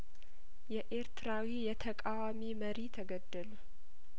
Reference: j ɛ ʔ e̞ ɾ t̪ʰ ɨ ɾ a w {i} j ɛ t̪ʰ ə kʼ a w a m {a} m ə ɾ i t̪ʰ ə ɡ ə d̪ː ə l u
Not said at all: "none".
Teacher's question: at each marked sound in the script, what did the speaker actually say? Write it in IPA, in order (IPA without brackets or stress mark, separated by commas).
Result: i, i